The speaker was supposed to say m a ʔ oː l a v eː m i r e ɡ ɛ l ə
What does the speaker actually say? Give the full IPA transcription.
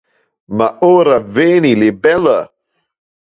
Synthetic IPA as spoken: m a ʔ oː ɾ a v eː n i l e b ɛ l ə